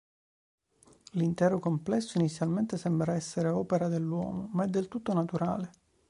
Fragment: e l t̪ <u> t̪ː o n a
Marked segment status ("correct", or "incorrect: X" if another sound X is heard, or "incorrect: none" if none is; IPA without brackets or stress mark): correct